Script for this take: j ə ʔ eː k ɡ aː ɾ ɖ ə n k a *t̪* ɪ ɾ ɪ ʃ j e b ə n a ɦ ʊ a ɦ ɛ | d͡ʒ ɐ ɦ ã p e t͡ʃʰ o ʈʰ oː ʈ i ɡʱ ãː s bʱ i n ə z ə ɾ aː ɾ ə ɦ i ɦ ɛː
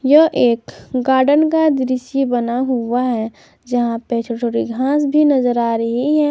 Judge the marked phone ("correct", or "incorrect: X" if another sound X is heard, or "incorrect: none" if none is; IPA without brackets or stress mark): incorrect: d̪